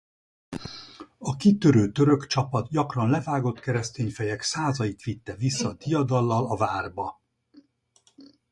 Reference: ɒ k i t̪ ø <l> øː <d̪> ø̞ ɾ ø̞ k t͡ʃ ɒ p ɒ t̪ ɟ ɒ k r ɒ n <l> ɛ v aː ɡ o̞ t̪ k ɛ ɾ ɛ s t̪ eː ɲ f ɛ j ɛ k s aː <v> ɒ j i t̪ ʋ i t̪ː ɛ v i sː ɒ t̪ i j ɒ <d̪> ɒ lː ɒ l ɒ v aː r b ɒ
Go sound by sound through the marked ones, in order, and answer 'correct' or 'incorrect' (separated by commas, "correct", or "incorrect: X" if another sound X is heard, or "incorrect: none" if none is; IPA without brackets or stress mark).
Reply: incorrect: ɾ, incorrect: t̪, correct, incorrect: z, correct